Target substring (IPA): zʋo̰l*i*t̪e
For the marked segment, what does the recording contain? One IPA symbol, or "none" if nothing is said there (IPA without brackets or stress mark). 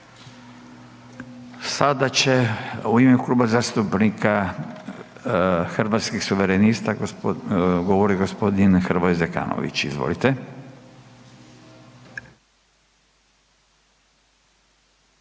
i